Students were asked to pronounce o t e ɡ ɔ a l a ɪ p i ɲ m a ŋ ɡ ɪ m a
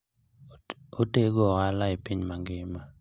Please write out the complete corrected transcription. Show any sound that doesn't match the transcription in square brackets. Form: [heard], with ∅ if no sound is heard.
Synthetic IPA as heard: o t e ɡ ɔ a l a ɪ p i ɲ m a ŋ ɡ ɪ m a